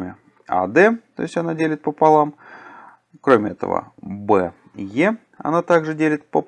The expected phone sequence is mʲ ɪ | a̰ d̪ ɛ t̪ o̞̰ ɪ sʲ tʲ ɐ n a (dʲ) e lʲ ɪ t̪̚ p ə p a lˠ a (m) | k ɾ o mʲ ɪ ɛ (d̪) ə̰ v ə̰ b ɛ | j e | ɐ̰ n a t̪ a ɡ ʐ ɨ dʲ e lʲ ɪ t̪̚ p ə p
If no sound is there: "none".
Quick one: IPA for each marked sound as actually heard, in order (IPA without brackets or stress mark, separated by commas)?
dʲ, m, t̪